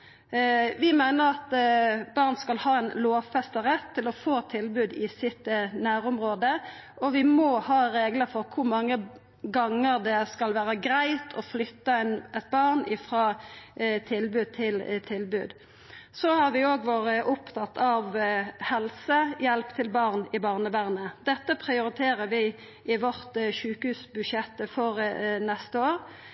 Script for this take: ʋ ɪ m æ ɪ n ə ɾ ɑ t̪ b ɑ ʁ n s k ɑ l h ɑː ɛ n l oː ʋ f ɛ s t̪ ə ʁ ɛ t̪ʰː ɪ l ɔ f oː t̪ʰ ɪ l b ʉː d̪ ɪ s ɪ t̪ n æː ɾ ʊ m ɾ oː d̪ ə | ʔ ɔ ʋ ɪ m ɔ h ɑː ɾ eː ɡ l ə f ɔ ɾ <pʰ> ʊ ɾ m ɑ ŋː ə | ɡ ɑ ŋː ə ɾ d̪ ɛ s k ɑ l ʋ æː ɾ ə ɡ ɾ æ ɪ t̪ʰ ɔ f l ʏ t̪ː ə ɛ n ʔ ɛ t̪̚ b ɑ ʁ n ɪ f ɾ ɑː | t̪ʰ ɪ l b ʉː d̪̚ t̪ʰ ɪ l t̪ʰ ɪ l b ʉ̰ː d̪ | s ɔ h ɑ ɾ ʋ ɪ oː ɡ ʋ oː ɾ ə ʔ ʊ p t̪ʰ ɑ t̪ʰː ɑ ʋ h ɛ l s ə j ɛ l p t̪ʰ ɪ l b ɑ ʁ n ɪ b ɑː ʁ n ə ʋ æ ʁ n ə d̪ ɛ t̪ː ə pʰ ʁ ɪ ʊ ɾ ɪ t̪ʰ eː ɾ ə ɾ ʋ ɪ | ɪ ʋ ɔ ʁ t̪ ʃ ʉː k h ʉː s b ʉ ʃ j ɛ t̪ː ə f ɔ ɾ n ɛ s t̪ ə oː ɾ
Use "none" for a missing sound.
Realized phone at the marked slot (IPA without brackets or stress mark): kʰ